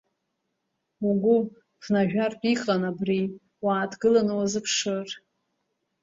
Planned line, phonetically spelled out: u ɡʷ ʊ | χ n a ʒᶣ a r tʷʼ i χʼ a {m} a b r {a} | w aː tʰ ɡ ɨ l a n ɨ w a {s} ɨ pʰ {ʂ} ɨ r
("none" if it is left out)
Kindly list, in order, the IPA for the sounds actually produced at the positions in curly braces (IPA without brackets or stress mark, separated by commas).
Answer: n, i, z, ʂ